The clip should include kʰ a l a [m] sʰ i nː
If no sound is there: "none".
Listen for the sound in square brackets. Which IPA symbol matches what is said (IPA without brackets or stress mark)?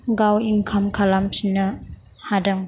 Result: m